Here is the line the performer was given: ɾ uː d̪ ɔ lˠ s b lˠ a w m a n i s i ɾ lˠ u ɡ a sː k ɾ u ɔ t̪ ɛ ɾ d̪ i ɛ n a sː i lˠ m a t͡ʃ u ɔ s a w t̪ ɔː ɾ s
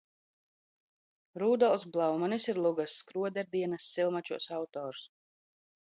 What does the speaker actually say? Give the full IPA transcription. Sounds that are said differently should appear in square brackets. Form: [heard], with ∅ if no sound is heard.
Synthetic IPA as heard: ɾ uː d̪ ɔ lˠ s b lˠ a w m a n i s i ɾ lˠ u ɡ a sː k ɾ u ɔ [d̪] ɛ ɾ d̪ i ɛ n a sː i lˠ m a t͡ʃ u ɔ s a w t̪ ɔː ɾ s

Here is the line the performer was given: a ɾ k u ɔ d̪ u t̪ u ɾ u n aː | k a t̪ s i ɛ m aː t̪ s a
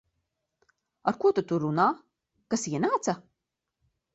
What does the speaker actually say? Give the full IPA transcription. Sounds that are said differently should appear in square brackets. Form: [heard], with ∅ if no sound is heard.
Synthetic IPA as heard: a ɾ k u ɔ [t̪] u t̪ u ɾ u n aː | k a [∅] s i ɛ [n] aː t̪ s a

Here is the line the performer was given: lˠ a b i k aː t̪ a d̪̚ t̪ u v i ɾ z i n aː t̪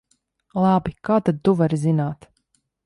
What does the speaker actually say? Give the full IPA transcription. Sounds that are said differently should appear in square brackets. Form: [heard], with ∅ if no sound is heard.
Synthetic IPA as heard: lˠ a b i k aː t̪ a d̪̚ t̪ u v [a] ɾ z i n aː t̪

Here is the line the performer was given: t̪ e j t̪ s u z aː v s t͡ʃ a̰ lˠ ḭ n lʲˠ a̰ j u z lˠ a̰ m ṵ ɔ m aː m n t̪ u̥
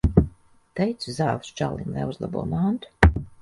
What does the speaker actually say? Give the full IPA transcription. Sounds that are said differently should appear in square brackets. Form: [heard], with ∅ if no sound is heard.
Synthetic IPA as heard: t̪ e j t̪ s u z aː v s t͡ʃ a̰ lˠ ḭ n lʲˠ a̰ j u z lˠ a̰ [b] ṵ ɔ m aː [∅] n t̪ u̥

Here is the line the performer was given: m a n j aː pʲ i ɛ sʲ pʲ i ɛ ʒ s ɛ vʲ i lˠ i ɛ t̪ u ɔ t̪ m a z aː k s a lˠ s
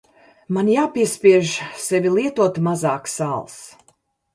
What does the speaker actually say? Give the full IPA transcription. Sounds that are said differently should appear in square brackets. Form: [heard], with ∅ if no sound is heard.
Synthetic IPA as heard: m a n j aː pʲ i ɛ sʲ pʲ i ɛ ʒ s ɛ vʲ i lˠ i ɛ t̪ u ɔ t̪ m a z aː k s a lˠ s

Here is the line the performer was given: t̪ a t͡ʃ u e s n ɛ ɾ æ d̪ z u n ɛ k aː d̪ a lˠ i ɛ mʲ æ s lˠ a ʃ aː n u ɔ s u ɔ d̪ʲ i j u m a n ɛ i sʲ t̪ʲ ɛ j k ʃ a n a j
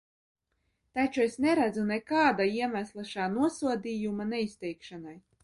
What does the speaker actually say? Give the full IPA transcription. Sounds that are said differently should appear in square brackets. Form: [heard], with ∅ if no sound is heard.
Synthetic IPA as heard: t̪ a t͡ʃ u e s n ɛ ɾ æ d̪ z u n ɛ k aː d̪ a [∅] i ɛ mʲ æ s lˠ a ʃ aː n u ɔ s u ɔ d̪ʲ i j u m a n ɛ i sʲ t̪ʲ ɛ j k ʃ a n a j

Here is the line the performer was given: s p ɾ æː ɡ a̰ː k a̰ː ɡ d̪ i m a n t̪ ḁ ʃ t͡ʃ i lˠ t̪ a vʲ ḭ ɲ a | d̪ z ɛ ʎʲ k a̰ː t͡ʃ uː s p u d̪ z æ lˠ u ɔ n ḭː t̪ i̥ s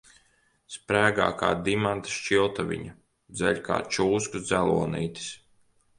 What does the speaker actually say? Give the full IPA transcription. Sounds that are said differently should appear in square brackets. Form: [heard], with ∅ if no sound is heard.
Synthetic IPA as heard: s p ɾ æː ɡ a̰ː k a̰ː [∅] d̪ i m a n t̪ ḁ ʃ t͡ʃ i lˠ t̪ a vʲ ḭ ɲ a | d̪ z ɛ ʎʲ k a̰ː t͡ʃ uː s [k] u d̪ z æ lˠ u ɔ n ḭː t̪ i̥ s

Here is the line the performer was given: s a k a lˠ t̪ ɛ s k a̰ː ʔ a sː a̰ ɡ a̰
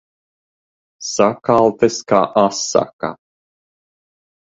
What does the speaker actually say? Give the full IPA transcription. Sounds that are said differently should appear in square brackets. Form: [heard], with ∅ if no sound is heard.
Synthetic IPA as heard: s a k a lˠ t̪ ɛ s k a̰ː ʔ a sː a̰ [k] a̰

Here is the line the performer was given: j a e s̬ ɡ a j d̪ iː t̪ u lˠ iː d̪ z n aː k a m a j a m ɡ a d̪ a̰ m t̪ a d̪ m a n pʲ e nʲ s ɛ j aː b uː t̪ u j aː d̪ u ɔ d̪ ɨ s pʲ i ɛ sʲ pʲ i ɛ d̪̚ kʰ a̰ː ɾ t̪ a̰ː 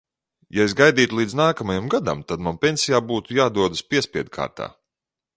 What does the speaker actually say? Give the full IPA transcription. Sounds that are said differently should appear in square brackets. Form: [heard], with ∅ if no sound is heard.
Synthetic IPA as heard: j a e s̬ ɡ a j d̪ iː t̪ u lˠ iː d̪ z n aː k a m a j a m ɡ a d̪ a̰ m t̪ a d̪ m a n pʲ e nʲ s [i] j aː b uː t̪ u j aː d̪ u ɔ d̪ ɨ s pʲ i ɛ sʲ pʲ i ɛ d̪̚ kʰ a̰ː ɾ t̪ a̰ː

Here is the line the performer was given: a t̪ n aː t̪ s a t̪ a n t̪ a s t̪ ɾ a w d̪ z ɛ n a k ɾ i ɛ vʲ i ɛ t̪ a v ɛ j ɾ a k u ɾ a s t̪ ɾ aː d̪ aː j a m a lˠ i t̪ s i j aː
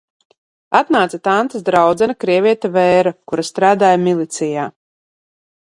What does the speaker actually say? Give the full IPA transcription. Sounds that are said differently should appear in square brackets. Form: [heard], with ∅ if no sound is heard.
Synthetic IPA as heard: a t̪ n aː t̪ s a t̪ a n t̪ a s [d̪] ɾ a w d̪ z ɛ n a k ɾ i ɛ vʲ i ɛ t̪ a v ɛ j ɾ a k u ɾ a s t̪ ɾ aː d̪ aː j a m [i] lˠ i t̪ s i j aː

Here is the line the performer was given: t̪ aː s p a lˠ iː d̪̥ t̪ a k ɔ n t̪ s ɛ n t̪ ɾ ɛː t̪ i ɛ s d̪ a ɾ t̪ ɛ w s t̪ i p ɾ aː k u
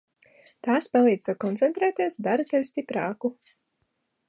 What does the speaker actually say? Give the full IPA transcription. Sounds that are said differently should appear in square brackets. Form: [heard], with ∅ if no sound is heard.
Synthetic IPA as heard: t̪ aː s p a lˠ iː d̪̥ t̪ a k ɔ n t̪ s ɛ n t̪ ɾ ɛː t̪ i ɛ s d̪ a ɾ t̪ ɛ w s t̪ i p ɾ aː k u

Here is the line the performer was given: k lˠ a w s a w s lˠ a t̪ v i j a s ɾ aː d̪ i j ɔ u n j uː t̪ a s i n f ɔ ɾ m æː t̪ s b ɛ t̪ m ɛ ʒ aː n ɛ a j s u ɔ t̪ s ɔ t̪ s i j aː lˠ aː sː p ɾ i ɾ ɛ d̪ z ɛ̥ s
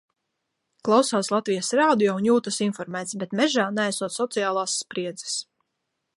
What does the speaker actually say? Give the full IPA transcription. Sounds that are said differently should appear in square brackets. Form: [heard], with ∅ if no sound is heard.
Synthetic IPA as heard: k lˠ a w s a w s lˠ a t̪ v i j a s ɾ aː d̪ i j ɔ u n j uː t̪ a s i n f ɔ ɾ m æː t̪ s b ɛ t̪ m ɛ ʒ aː n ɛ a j s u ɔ t̪ s ɔ t̪ s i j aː lˠ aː sː p ɾ i [∅] ɛ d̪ z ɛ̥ s

